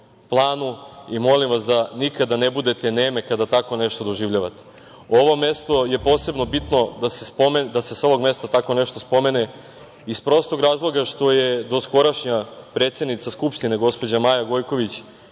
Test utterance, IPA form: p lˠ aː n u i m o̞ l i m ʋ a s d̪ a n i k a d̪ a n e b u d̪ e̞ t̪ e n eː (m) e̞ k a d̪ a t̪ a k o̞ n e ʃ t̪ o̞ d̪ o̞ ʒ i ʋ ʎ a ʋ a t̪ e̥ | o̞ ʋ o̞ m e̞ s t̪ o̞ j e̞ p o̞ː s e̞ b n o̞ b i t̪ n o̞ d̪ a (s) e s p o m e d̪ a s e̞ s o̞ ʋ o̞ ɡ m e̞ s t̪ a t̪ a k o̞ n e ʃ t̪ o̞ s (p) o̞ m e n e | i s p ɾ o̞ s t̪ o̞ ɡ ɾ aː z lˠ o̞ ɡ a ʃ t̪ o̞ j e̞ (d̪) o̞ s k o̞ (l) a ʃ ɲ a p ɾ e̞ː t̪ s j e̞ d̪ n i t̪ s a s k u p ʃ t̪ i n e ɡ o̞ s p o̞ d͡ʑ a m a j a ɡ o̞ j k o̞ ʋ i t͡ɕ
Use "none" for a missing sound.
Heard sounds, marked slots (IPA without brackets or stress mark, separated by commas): m, s, p, d̪, ɾ